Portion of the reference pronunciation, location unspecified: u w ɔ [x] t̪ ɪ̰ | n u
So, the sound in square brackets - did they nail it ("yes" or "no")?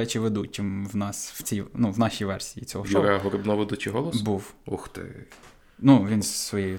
yes